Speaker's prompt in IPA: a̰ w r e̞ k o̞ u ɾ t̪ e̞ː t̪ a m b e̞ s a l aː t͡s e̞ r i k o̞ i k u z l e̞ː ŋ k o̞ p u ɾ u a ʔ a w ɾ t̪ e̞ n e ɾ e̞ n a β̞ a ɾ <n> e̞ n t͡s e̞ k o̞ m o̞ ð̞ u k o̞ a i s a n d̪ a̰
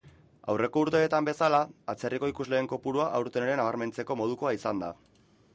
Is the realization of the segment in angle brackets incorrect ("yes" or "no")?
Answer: yes